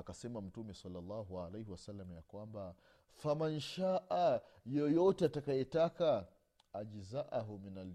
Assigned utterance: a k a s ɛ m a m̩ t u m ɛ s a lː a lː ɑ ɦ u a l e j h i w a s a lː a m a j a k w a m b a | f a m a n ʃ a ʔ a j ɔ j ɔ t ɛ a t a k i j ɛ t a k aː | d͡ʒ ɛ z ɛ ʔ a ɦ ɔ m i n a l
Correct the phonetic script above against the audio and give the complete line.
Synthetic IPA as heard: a k a s ɛ m a m̩ t u m ɛ s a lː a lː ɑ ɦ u a l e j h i w a s a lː a m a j a k w a m b a | f a m a n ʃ a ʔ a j ɔ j ɔ t ɛ a t a k a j ɛ t a k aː | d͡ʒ i z a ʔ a ɦ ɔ m i n a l